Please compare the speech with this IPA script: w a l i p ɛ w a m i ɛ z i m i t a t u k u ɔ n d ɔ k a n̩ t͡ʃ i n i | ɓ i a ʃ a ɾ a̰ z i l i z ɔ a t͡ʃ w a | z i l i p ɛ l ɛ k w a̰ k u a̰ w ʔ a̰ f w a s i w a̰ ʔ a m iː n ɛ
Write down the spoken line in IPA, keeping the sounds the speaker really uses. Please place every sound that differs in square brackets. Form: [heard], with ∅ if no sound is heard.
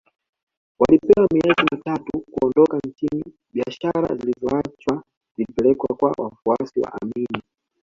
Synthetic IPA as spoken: w a l i p ɛ w a m i ɛ z i m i t a t u k u ɔ n d ɔ k a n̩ t͡ʃ i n i | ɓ i a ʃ a ɾ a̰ z i l i z ɔ a t͡ʃ w a | z i l i p ɛ l ɛ k w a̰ k [w] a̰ w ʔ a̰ f [u] a s i w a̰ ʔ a m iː n [i]